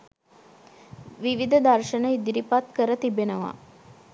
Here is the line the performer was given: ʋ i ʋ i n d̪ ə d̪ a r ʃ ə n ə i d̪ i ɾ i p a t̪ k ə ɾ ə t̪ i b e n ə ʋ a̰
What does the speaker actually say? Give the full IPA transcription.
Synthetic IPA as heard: ʋ i ʋ i d̪ ə d̪ a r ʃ ə n ə i d̪ i ɾ i p a t̪ k ə ɾ ə t̪ i b e n ə ʋ a̰